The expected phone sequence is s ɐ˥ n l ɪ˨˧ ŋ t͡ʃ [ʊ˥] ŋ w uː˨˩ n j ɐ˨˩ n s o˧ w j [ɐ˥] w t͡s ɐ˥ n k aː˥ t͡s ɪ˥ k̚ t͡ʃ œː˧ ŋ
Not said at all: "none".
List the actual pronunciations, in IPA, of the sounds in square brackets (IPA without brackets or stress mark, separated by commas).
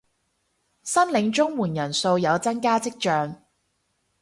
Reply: ʊ˥, ɐ˨˧